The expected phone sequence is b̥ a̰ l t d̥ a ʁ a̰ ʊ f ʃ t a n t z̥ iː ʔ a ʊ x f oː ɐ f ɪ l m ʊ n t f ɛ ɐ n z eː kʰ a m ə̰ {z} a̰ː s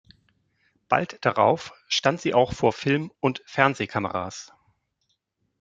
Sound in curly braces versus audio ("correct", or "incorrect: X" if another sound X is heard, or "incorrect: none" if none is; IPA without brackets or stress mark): incorrect: ʁ